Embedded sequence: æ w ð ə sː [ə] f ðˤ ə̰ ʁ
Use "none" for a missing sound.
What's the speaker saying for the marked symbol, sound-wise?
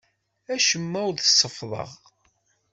ə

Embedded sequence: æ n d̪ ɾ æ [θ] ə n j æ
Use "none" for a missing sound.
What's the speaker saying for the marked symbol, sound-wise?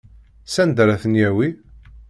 θ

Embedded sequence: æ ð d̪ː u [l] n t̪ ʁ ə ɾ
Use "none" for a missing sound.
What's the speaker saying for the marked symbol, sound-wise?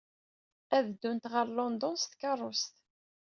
none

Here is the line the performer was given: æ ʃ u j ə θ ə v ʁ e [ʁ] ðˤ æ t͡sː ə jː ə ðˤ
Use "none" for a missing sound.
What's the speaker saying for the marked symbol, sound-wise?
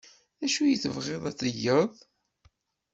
none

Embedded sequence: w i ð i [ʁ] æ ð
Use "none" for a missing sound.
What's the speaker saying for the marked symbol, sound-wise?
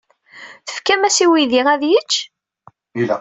ʁ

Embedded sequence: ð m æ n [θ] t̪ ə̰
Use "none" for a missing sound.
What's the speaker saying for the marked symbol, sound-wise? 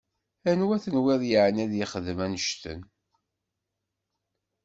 ʃ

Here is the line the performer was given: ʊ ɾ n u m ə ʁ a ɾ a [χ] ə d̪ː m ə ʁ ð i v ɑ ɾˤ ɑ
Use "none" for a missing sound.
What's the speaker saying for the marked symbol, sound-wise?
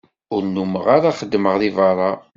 χ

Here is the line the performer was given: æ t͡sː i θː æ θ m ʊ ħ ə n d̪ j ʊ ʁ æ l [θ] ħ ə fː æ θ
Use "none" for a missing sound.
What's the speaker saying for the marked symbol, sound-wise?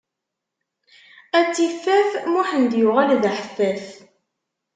ð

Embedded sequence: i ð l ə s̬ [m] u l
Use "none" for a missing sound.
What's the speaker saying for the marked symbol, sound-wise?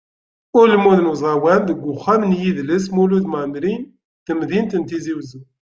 m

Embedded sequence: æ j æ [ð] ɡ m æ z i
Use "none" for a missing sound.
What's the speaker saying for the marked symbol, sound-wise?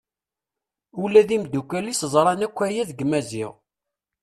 ð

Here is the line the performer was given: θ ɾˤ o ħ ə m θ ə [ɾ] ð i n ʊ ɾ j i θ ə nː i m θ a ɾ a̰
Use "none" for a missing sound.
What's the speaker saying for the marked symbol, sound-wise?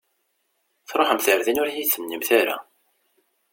ɾ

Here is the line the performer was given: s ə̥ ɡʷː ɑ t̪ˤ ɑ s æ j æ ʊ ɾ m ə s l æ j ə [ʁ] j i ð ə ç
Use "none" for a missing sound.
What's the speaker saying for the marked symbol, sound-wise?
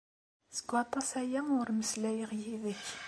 ʁ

